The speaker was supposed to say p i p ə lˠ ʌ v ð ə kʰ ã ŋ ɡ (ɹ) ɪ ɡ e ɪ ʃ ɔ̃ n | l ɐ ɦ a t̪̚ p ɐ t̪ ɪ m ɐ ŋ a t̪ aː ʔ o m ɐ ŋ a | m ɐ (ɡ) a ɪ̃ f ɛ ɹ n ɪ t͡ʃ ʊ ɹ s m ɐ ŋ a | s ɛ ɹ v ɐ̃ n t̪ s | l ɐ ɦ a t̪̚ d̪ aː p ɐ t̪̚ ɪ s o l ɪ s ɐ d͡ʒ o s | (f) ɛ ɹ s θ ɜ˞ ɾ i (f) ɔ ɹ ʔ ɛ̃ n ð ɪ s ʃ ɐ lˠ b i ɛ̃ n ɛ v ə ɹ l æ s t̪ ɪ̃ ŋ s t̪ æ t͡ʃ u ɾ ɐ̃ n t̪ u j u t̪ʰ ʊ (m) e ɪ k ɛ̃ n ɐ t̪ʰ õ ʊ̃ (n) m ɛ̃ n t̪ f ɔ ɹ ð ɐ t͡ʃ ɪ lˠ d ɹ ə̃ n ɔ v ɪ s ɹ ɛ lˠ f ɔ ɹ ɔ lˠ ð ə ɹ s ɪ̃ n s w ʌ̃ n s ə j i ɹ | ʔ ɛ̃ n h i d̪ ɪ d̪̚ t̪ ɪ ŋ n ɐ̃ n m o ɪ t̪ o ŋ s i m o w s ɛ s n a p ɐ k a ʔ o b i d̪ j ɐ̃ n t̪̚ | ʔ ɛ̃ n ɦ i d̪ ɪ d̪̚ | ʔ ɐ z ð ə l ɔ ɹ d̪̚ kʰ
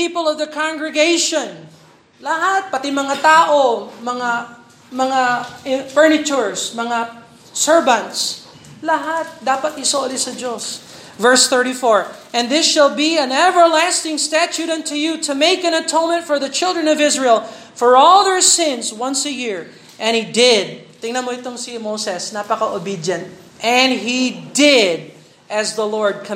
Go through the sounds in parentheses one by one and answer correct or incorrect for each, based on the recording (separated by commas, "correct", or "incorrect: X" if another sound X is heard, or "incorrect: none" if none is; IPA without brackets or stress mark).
correct, incorrect: ŋ, incorrect: v, correct, correct, correct